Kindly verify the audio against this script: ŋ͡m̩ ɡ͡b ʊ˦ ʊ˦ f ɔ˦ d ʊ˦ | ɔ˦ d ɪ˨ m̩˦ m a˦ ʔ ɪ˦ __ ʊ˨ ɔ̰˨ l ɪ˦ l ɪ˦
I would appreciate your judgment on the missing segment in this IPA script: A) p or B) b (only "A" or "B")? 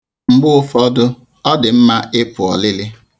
A